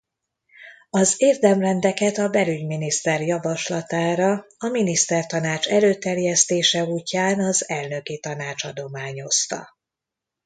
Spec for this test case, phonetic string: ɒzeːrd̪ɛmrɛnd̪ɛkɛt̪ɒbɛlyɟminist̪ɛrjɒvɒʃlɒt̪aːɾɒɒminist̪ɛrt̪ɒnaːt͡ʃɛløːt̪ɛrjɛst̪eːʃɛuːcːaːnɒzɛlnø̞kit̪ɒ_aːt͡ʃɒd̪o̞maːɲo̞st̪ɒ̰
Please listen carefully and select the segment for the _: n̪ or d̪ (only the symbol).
n̪